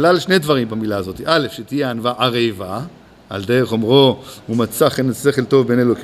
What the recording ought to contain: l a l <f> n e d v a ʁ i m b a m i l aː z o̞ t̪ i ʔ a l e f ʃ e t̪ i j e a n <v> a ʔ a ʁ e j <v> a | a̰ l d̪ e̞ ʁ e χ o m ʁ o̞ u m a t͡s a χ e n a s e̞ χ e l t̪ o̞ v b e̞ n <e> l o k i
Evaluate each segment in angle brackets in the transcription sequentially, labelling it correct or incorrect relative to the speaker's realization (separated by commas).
incorrect, correct, correct, correct